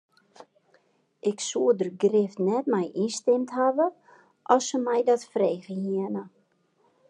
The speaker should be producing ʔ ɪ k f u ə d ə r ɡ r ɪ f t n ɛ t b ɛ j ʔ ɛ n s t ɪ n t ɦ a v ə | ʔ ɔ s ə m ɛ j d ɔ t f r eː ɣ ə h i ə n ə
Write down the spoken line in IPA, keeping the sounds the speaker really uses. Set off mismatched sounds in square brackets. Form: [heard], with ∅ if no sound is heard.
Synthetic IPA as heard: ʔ ɪ k [s] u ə d ə r ɡ r ɪ f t n ɛ t [m] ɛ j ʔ [i] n s t ɪ [m] t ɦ a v ə | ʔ ɔ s ə m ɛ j d ɔ t f r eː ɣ ə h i ə n ə